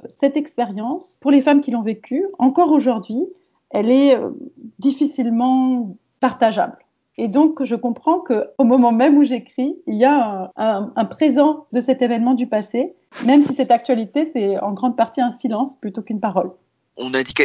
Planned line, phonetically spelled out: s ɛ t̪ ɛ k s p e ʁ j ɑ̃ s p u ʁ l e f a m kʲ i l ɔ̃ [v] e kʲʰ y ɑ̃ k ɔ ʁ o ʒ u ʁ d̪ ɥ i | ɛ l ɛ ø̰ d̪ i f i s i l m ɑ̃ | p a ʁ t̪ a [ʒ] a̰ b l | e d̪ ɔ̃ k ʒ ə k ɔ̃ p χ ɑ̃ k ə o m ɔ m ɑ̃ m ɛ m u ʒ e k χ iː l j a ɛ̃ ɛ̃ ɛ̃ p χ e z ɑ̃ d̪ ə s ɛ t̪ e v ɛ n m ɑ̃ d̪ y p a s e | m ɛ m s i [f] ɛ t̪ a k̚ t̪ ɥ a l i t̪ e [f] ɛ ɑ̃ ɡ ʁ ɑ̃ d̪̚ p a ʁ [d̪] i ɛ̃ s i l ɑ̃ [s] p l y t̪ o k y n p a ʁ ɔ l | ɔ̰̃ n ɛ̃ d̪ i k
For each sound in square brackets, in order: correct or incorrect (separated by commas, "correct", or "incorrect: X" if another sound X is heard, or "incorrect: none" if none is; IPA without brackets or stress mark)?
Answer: correct, correct, incorrect: s, incorrect: s, incorrect: t̪, correct